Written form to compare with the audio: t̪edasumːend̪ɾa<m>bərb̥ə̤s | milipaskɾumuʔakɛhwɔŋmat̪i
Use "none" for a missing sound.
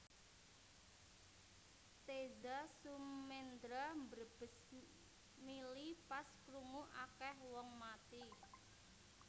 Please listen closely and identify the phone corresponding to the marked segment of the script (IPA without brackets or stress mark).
m